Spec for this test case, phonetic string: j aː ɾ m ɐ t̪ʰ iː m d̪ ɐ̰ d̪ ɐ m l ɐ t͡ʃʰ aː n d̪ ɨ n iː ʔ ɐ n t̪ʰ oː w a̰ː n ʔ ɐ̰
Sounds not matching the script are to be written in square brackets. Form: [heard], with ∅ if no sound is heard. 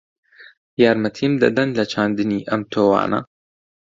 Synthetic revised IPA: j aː ɾ m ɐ t̪ʰ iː m d̪ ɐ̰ d̪ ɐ [n] l ɐ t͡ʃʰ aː n d̪ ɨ n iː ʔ ɐ [m] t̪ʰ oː w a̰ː n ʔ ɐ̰